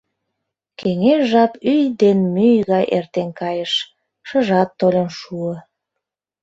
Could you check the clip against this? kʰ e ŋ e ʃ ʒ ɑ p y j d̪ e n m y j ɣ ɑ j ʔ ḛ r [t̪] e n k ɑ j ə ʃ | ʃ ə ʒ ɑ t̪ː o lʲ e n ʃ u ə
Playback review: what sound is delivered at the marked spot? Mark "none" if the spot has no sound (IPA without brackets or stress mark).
t̪